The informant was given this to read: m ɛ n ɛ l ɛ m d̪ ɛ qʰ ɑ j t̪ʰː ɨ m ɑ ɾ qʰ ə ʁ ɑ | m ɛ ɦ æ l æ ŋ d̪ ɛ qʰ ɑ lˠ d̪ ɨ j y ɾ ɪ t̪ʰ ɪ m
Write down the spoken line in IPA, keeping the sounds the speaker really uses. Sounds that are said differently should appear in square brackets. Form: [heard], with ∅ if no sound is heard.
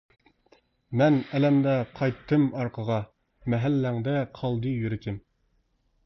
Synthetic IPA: m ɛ n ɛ l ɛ m d̪ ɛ qʰ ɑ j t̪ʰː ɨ m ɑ ɾ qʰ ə ʁ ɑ | m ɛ ɦ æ [lː] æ ŋ d̪ ɛ qʰ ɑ lˠ d̪ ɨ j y ɾ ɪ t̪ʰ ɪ m

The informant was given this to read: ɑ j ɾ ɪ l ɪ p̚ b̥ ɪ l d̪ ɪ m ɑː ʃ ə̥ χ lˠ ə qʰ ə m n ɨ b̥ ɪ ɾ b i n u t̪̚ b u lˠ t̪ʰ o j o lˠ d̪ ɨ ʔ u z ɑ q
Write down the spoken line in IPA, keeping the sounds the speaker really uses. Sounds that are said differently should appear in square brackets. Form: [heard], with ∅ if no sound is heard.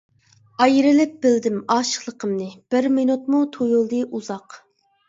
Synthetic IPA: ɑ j ɾ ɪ l ɪ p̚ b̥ ɪ l d̪ ɪ m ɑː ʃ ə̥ χ lˠ ə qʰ ə m n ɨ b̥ ɪ ɾ [m] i n u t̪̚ [m] u [∅] t̪ʰ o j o lˠ d̪ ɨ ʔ u z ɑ q

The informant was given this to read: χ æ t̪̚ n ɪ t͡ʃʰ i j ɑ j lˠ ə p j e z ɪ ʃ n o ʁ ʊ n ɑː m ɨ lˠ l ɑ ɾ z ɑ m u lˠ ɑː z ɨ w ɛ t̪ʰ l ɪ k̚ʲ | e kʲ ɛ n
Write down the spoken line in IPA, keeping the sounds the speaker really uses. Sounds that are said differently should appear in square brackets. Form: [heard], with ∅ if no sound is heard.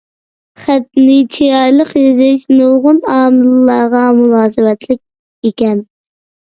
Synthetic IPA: χ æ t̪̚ n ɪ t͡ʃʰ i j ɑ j lˠ ə [q] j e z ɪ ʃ n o ʁ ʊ n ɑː m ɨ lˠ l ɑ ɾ [ʁ] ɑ m u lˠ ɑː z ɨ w ɛ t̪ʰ l ɪ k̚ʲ | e kʲ ɛ n

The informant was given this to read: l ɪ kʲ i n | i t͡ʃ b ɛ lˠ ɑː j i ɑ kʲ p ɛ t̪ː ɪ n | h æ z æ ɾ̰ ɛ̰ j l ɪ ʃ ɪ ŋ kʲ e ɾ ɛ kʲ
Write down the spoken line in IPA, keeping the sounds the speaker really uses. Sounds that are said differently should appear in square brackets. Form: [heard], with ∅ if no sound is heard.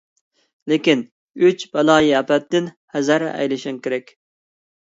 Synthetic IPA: l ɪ kʲ i n | [y] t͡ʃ b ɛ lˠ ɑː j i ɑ [∅] p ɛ t̪ː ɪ n | h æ z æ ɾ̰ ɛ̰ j l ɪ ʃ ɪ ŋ kʲ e ɾ ɛ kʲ

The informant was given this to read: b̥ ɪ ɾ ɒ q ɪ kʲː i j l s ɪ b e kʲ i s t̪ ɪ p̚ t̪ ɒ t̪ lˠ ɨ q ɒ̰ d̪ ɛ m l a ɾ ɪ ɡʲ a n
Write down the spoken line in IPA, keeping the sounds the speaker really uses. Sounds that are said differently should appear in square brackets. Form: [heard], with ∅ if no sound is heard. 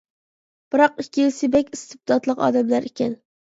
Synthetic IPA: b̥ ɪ ɾ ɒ q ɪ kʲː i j l s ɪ b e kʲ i s t̪ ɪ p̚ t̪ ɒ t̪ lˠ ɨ q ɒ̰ d̪ [a] m l a ɾ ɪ [kʲ] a n

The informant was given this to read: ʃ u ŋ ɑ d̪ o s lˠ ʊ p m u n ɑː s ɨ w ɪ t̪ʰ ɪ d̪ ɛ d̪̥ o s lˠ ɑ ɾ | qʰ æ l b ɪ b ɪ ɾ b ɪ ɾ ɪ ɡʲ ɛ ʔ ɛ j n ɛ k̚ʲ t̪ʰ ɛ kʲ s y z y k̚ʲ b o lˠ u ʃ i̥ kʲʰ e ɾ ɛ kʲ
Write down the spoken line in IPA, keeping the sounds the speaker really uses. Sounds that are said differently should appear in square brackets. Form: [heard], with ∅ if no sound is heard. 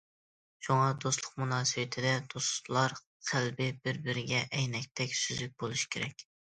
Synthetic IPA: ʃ u ŋ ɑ d̪ o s lˠ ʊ [q] m u n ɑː s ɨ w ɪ t̪ʰ ɪ d̪ ɛ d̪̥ o s lˠ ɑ ɾ | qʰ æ l b ɪ b ɪ ɾ b ɪ ɾ ɪ ɡʲ ɛ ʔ ɛ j n ɛ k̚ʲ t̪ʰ ɛ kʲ s y z y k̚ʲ b o lˠ u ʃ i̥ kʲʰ e ɾ ɛ kʲ

